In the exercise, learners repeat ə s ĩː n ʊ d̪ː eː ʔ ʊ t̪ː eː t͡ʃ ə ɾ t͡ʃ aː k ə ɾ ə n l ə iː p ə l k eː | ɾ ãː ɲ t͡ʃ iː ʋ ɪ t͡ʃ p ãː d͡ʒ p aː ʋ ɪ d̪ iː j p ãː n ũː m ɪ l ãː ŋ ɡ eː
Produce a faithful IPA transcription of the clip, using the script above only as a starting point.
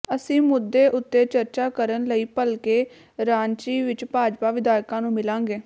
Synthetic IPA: ə s ĩː m ʊ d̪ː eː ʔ ʊ t̪ː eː t͡ʃ ə ɾ t͡ʃ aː k ə ɾ ə n l ə iː p ə l k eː | ɾ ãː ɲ t͡ʃ iː ʋ ɪ t͡ʃ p aː d͡ʒ p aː ʋ ɪ d̪ aː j k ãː n ũː m ɪ l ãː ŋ ɡ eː